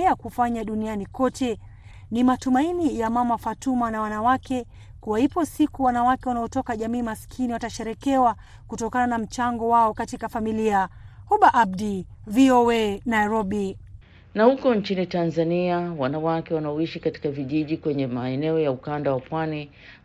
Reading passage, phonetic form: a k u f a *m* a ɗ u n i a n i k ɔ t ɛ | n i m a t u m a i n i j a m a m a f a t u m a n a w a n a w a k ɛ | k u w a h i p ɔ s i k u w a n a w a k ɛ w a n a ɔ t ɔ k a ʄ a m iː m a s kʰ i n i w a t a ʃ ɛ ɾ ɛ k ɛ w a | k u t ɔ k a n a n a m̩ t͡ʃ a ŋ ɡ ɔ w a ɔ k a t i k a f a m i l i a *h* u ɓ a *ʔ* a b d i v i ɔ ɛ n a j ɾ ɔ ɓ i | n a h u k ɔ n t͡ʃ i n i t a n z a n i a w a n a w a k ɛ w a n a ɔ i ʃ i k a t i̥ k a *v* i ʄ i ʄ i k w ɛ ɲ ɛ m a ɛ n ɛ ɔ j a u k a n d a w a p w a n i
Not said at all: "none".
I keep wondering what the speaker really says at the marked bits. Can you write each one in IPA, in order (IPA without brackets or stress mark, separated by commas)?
ɲ, h, ʔ, v